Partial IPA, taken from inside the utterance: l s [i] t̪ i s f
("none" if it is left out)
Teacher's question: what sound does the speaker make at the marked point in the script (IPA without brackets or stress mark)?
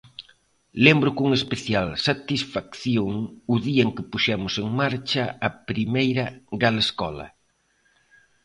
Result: a